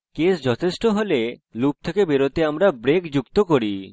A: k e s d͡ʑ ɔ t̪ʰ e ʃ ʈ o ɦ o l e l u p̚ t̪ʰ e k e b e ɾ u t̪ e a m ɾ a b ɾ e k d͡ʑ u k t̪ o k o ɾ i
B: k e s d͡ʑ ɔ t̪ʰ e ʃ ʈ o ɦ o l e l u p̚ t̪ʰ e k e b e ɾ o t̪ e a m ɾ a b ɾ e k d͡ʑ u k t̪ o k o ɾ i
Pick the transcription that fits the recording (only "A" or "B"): B